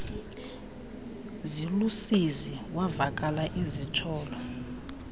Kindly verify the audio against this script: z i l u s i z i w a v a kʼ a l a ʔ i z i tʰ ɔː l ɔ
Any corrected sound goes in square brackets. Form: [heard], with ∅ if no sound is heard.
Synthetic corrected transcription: z i l u s i z i w a v a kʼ a l a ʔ i z i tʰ ɔː l ɔ